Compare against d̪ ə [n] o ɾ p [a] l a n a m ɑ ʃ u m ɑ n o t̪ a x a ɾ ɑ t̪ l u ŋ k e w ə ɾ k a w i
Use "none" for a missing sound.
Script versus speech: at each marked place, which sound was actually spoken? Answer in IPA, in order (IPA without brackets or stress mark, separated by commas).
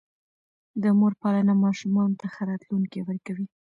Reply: m, ɑ